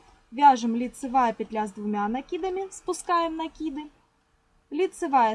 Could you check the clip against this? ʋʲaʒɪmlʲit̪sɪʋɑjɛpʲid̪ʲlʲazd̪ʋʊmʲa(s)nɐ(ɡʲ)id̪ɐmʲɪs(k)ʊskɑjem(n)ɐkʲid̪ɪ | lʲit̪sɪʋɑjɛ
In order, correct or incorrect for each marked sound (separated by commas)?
incorrect, incorrect, incorrect, correct